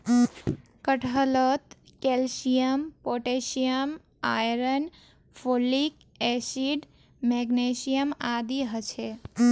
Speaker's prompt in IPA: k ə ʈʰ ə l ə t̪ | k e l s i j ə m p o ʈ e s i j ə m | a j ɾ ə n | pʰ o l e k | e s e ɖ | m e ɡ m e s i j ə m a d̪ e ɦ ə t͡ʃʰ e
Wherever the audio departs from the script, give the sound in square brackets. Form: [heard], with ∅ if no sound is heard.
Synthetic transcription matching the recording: k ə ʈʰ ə l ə t̪ | k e l s i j ə m p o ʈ e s i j ə m | a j ɾ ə n | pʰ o l [i] k | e s [i] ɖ | m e ɡ [n] e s i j ə m a d̪ [i] ɦ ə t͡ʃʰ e